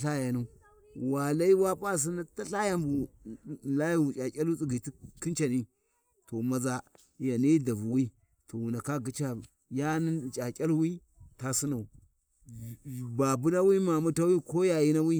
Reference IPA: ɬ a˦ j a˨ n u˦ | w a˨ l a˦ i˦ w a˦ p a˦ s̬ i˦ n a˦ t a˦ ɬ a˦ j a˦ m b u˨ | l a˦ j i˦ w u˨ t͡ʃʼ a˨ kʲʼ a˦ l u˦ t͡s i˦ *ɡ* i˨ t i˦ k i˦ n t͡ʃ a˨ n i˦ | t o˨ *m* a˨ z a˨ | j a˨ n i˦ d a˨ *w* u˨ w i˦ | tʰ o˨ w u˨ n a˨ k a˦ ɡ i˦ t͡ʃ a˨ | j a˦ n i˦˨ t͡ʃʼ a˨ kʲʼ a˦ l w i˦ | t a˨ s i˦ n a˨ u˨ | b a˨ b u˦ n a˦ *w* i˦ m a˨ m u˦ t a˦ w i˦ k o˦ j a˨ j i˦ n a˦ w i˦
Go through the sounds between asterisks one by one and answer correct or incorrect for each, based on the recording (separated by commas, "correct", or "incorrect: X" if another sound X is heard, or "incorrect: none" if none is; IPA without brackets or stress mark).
correct, correct, incorrect: v, correct